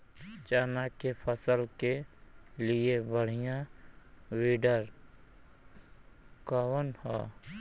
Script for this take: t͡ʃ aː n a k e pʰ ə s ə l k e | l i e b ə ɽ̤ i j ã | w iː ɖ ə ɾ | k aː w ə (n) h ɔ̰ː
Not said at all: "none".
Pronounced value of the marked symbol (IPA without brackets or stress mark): n